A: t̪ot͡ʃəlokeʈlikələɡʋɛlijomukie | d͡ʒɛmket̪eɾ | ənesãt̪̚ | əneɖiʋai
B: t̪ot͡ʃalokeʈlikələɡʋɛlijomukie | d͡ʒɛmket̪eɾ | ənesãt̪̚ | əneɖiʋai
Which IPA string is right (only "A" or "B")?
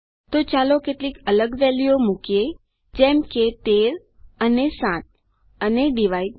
B